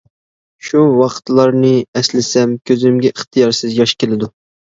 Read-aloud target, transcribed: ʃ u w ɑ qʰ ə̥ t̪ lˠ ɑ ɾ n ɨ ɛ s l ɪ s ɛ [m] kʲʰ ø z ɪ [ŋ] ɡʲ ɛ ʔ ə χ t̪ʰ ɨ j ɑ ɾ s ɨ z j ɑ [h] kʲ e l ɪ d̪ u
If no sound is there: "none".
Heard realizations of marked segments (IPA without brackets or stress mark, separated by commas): m, m, ʃ